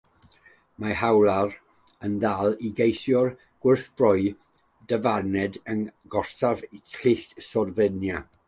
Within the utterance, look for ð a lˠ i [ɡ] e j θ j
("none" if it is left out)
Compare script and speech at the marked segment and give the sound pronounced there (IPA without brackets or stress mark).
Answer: ɡ